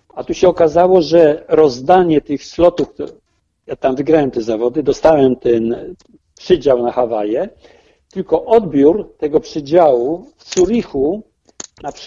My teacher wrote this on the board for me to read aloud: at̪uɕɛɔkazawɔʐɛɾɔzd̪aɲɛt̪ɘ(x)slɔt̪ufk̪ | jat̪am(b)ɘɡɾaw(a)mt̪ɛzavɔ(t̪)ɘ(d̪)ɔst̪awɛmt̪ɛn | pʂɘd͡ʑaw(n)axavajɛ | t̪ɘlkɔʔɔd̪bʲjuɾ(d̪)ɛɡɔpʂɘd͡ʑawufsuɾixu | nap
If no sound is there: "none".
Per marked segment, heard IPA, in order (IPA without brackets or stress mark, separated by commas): x, v, ɛ, d̪, d̪, n, t̪